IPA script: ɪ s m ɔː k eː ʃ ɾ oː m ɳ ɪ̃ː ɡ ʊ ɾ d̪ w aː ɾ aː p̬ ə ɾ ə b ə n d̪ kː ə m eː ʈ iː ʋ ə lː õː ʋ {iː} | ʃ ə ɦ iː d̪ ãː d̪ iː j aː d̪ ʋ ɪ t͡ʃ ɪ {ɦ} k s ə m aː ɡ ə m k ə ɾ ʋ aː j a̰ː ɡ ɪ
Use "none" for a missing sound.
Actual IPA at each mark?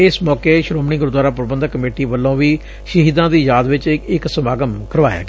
iː, none

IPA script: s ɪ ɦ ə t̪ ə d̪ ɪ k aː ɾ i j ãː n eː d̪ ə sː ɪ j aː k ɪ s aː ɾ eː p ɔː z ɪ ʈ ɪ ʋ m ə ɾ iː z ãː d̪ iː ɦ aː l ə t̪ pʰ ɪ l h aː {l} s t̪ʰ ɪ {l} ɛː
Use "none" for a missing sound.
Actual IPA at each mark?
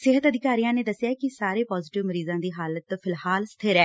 l, ɾ

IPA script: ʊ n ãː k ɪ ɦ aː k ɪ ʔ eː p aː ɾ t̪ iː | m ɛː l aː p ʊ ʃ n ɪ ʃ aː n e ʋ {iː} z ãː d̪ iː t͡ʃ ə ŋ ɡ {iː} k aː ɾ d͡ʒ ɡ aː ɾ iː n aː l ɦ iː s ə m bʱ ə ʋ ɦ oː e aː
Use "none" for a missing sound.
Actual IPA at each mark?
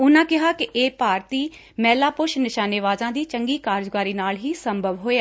aː, iː

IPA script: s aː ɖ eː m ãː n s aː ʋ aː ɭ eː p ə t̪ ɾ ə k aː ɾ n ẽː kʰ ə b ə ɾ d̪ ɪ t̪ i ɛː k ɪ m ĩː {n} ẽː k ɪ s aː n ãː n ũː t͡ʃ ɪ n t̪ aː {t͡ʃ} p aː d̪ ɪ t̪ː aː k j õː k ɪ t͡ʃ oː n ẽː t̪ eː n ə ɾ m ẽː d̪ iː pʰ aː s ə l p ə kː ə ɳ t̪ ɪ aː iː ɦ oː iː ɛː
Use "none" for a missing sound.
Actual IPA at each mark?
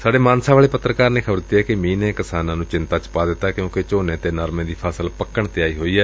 n, t͡ʃ

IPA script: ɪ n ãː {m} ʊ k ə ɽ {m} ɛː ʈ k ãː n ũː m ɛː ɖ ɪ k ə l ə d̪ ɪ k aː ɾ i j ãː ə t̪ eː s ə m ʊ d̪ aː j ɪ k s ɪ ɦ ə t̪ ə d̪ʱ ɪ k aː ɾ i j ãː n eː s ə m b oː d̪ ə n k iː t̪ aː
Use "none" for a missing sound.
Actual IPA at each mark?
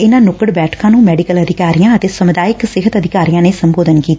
n, b

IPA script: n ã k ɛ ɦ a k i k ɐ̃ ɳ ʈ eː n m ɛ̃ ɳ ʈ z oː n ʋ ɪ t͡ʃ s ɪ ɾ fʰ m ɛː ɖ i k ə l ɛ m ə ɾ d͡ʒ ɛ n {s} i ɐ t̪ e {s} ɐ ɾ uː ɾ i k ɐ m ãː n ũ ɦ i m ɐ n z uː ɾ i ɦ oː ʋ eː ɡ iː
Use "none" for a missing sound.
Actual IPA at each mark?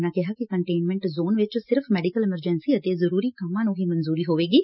s, z

